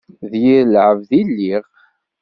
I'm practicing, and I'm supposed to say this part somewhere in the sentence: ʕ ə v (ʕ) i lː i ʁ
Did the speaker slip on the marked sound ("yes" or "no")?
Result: yes